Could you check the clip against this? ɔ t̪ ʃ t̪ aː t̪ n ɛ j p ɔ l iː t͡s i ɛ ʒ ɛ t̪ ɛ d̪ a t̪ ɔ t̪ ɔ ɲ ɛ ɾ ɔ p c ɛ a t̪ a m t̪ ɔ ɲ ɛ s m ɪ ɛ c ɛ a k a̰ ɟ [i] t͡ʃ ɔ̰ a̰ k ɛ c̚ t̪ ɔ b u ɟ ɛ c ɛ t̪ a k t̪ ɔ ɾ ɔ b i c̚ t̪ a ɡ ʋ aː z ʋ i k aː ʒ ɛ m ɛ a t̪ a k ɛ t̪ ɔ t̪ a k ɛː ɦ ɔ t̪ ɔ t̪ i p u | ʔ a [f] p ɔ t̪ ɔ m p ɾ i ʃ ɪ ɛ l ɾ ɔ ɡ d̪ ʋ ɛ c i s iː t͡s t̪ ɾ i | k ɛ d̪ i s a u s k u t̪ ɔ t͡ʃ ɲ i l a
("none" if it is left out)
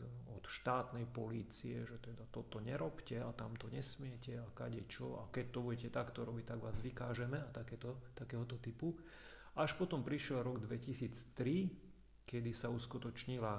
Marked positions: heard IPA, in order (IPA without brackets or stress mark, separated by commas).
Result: ɛ, ʃ